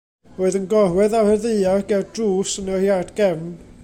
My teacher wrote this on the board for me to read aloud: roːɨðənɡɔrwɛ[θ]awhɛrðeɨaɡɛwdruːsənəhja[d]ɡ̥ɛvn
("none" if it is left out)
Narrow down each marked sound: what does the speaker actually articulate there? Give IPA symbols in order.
ð, d

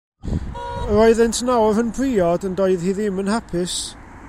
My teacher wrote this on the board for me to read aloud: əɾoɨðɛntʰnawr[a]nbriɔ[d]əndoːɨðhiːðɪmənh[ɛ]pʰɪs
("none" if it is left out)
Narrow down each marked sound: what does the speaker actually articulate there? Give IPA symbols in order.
ə, d, a

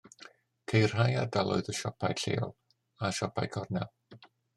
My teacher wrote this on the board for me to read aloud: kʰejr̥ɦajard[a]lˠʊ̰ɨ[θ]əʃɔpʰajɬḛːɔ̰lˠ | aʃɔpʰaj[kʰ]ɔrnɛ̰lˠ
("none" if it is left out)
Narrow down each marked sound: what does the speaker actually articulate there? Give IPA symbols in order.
a, ð, kʰ

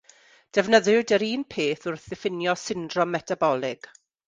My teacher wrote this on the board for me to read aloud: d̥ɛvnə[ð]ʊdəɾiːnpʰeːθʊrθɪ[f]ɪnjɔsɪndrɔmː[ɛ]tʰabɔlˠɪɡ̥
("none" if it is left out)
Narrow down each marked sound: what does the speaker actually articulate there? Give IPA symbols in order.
ð, f, ɛ

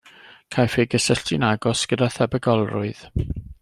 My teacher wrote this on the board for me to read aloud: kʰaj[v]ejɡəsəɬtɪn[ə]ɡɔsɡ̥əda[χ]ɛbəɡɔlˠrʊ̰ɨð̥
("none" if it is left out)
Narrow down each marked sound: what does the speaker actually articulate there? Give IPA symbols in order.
f, a, θ

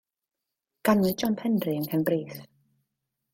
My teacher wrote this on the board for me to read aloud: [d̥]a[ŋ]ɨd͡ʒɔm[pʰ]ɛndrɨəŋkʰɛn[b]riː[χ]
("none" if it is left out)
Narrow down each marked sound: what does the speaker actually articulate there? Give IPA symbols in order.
ɡ̥, n, pʰ, b, θ

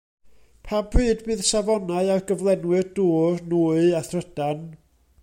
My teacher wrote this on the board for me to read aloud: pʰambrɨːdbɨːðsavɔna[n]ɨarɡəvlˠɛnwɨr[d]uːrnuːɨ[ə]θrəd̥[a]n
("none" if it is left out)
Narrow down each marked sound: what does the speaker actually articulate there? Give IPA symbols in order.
none, d, a, a

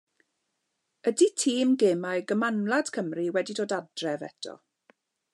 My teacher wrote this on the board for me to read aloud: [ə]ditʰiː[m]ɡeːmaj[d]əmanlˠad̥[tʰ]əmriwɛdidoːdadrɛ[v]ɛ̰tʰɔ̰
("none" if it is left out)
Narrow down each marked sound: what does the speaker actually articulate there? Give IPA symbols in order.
ə, m, ɡ, kʰ, v

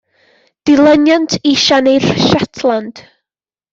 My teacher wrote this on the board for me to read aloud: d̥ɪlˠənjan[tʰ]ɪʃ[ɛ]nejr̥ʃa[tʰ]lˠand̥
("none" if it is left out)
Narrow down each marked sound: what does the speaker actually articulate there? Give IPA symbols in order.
tʰ, a, tʰ

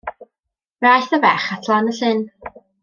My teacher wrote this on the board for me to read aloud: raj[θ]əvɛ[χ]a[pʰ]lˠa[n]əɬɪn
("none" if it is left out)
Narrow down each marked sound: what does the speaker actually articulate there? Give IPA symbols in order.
θ, χ, tʰ, n

